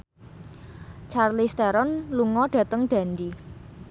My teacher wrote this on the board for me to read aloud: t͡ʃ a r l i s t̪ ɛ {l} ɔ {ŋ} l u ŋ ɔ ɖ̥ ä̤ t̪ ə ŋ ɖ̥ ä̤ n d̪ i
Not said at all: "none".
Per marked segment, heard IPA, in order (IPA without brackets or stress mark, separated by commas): ɾ, n